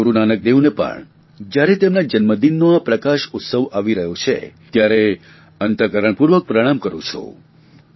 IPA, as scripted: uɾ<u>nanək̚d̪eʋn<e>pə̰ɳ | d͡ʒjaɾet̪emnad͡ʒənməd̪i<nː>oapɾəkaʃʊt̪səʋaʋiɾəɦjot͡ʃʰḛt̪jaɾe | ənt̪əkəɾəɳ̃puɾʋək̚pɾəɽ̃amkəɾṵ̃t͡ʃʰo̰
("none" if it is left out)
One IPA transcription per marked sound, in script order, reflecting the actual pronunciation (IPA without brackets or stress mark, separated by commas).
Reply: u, e, nː